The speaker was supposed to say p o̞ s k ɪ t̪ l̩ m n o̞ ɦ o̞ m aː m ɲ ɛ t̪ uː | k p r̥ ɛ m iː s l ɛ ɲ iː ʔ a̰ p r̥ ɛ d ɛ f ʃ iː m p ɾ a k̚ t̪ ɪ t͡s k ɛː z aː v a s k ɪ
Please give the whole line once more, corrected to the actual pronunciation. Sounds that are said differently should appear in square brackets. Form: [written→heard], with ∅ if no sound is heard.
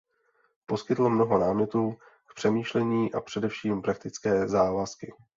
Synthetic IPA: p o̞ s k ɪ t̪ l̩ m n o̞ ɦ o̞ [m→n] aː m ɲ ɛ t̪ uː | k p r̥ ɛ m iː [s→ʃ] l ɛ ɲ iː ʔ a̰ p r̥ ɛ d ɛ f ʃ iː m p ɾ a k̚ t̪ ɪ t͡s k ɛː z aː v a s k ɪ